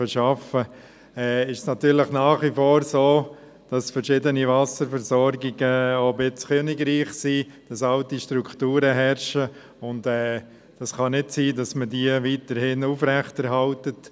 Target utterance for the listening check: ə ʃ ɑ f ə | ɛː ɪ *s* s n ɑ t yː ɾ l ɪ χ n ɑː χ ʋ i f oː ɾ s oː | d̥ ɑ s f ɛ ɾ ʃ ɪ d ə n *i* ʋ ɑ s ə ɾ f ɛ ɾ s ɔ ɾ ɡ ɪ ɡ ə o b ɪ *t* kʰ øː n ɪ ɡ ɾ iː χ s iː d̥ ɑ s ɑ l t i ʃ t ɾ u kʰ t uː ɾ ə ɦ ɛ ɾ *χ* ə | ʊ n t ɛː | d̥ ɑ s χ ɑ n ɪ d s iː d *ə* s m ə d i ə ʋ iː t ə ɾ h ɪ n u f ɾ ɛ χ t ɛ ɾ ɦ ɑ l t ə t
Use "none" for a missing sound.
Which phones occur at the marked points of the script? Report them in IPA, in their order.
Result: ʃ, i, t͡s, ʃ, ɑ

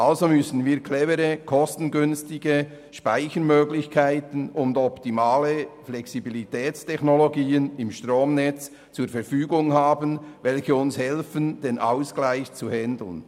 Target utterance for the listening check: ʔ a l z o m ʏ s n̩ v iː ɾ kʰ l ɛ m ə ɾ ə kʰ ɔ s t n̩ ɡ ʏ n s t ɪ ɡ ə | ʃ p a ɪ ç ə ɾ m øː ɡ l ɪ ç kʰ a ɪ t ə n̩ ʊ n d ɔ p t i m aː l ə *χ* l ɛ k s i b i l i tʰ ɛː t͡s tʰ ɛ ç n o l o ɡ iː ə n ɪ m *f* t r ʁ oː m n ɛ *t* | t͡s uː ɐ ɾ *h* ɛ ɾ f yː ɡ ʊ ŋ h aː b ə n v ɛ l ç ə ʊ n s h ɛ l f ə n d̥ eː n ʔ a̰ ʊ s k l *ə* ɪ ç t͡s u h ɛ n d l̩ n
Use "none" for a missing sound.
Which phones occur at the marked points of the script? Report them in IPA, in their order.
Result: f, ʃ, t͡s, f, a

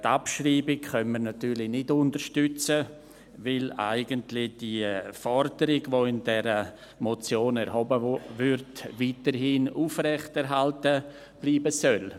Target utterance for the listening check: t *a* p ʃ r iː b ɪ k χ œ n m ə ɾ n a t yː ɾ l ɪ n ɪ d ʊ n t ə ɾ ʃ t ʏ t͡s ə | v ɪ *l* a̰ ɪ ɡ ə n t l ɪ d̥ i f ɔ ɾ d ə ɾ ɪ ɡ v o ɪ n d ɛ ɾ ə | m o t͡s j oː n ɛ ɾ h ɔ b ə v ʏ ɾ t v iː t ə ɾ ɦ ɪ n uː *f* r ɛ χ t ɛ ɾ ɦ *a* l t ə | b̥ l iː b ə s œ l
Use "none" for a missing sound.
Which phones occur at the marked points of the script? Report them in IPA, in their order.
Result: a, l, f, a

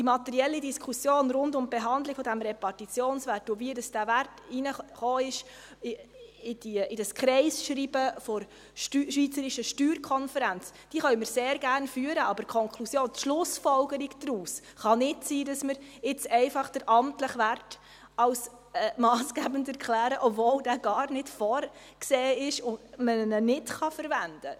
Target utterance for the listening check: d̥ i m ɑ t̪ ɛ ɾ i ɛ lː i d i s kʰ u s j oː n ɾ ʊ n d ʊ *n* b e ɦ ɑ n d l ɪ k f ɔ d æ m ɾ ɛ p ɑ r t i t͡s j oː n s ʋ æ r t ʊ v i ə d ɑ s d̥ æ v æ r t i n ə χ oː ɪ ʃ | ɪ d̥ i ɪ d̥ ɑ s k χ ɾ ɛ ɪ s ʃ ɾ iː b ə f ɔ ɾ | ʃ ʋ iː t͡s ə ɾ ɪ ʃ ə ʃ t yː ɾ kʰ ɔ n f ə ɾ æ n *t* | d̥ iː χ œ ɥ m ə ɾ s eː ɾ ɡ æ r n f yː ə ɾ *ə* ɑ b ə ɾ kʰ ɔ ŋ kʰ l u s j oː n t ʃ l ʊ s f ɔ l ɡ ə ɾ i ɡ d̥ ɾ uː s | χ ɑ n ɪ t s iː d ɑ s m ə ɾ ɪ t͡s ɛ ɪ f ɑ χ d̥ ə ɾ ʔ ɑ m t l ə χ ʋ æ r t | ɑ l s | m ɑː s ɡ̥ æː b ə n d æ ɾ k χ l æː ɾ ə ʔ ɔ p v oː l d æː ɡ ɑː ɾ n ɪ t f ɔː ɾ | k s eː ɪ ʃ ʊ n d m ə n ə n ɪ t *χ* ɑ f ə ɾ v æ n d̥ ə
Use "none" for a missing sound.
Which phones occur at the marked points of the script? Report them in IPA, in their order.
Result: m, t͡s, ə, χ

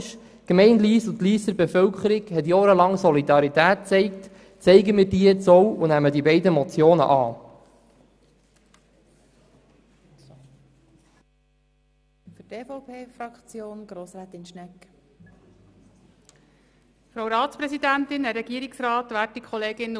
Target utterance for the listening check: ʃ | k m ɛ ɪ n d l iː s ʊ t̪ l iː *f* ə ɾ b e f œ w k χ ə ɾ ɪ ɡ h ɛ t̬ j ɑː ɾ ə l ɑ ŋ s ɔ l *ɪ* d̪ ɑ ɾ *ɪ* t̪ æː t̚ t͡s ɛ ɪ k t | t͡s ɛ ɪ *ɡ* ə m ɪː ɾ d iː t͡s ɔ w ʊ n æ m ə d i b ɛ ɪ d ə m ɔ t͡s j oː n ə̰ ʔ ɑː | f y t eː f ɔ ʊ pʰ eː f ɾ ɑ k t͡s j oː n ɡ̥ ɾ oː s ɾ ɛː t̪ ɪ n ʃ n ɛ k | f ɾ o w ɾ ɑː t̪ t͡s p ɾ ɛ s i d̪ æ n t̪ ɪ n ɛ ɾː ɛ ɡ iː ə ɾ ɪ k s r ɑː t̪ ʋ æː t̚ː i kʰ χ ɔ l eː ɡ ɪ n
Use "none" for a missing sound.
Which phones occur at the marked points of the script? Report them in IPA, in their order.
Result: s, i, i, ɡ

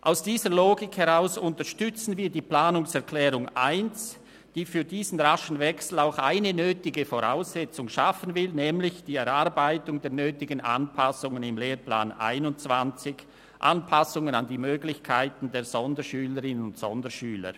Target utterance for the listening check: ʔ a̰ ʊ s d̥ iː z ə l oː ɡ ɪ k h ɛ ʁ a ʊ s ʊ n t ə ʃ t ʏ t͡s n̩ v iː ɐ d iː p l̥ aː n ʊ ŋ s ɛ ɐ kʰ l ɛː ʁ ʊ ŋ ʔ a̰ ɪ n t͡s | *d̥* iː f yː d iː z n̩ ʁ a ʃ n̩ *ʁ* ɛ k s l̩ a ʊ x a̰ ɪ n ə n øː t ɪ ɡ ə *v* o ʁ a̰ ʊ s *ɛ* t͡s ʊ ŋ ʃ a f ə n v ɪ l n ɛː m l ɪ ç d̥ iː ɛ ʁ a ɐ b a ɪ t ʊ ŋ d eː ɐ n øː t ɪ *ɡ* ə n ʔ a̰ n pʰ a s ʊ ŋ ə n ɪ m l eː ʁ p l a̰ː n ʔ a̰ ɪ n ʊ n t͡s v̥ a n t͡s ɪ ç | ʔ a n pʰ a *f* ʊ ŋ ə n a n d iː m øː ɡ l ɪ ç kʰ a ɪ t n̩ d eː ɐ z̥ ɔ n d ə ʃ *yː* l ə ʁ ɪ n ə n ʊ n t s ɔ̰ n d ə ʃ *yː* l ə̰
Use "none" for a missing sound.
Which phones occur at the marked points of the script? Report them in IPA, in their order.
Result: d̥, v, f, ɛ, ɡ, s, yː, yː

